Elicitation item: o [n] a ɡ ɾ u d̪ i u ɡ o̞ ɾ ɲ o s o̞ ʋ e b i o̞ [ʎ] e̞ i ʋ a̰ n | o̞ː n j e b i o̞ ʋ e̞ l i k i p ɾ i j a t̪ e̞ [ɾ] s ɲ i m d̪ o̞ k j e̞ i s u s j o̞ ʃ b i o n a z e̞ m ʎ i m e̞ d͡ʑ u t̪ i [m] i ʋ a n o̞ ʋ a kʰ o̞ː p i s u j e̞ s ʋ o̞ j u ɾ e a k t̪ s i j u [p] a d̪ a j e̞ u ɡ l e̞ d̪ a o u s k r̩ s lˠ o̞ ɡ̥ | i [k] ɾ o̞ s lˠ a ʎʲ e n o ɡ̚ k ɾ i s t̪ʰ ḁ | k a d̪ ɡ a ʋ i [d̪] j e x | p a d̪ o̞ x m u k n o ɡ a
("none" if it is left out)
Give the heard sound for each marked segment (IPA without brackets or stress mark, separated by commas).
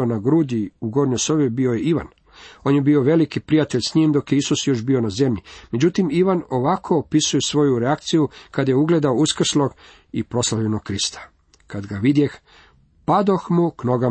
n, j, ʎ, m, k, p, d̪